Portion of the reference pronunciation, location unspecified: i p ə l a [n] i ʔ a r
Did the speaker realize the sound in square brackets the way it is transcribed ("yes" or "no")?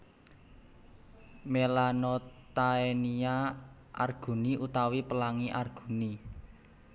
no